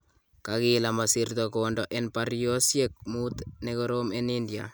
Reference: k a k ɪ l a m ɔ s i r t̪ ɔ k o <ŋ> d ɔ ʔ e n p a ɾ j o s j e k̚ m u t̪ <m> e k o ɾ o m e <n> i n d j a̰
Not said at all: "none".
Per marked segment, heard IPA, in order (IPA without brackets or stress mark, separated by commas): n, n, n